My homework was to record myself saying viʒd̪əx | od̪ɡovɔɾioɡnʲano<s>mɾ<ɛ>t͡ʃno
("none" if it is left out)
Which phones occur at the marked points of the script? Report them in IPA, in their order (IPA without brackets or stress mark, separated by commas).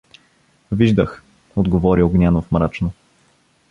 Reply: f, a